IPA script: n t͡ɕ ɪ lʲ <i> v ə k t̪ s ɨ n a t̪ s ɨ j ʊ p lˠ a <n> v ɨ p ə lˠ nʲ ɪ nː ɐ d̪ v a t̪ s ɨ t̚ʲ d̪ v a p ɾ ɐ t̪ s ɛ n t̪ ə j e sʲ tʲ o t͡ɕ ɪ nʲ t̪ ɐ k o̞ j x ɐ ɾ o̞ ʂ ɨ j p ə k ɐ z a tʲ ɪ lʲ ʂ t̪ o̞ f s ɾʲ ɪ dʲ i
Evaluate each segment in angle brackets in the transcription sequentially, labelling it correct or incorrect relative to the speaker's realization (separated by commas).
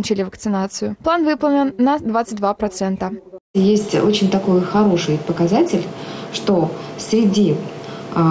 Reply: incorrect, correct